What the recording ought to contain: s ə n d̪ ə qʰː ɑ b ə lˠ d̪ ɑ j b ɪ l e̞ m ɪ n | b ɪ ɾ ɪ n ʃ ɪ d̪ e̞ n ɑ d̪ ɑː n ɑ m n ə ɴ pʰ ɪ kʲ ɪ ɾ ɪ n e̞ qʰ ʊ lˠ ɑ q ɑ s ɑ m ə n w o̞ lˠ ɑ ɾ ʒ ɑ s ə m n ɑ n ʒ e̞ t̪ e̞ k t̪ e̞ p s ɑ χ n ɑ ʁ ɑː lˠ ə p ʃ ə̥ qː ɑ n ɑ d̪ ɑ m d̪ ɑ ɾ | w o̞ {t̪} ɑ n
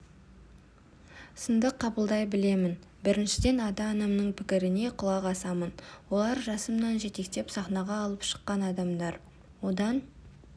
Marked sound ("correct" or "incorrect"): incorrect